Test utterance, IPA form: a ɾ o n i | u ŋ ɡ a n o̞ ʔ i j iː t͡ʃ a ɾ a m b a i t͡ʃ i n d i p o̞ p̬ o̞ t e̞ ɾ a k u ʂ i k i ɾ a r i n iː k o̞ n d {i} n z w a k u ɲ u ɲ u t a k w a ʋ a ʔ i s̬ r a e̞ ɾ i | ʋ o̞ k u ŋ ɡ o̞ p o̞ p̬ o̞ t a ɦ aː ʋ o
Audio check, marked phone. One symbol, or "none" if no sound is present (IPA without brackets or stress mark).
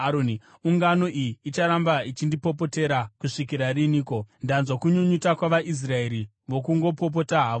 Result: a